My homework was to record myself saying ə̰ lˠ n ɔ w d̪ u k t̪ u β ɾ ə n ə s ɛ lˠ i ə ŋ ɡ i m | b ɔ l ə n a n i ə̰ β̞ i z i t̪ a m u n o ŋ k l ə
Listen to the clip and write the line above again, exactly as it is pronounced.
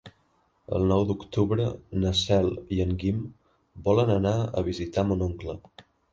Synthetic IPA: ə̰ lˠ n ɔ w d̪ u k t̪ u β ɾ ə n ə s ɛ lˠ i ə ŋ ɡ i m | b ɔ l ə n ə n a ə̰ β̞ i z i t̪ a m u n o ŋ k l ə